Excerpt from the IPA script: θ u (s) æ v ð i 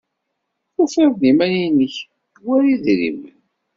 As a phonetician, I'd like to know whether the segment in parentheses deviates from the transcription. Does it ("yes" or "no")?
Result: yes